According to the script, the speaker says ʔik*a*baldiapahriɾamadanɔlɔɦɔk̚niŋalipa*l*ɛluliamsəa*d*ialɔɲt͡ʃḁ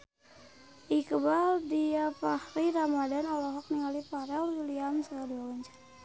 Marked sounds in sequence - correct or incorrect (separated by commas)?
incorrect, incorrect, correct